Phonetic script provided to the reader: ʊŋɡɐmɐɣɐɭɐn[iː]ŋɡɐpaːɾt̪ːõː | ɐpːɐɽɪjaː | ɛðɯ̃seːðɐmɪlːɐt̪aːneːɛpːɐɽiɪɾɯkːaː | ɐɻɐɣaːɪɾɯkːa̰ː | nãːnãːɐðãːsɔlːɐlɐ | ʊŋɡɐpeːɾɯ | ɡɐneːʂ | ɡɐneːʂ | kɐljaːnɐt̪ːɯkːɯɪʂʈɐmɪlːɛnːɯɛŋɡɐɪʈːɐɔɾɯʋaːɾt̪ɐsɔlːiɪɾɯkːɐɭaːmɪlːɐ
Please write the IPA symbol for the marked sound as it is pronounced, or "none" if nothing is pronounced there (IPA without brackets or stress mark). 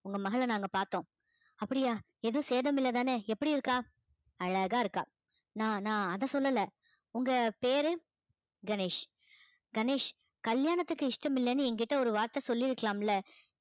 aː